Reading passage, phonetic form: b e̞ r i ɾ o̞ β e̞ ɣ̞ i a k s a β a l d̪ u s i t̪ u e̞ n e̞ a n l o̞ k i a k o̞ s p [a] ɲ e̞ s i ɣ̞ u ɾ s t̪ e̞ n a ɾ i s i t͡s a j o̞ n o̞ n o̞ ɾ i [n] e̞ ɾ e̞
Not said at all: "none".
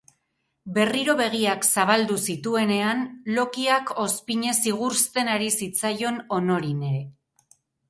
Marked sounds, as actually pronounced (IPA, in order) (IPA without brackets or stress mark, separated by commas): i, n